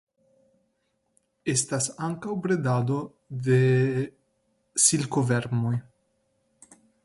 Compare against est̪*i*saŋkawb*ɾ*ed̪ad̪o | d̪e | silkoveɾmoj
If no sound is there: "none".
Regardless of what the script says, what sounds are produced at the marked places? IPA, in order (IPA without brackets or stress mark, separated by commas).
a, ɾ